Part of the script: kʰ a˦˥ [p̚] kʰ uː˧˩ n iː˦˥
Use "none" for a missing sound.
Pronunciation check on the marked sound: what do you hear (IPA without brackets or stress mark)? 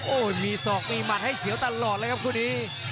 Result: p̚